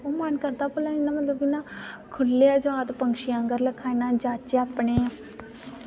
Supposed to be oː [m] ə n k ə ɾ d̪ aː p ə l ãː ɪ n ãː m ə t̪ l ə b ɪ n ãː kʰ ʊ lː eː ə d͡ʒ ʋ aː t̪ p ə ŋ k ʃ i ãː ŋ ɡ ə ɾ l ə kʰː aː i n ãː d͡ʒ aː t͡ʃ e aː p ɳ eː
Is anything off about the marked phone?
no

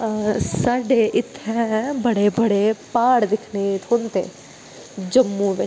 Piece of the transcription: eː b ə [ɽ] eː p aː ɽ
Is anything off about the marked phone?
no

